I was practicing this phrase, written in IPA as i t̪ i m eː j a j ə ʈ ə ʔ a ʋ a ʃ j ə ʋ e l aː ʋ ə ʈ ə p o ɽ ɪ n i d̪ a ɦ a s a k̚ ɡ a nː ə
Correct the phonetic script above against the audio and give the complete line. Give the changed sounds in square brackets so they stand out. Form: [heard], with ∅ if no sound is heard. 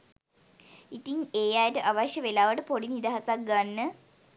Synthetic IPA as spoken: i t̪ i [ŋ] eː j a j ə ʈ ə ʔ a ʋ a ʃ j ə ʋ e l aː ʋ ə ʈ ə p o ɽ [i] n i d̪ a ɦ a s a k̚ ɡ a nː ə